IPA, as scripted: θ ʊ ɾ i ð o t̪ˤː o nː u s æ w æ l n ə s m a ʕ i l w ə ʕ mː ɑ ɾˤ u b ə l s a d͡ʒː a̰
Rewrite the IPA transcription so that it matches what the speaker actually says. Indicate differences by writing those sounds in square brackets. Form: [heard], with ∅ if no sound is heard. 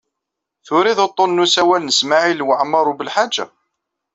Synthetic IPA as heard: θ ʊ ɾ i ð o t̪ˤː o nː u s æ w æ l n ə s m a ʕ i l w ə ʕ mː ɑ ɾˤ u b ə l [ħ] a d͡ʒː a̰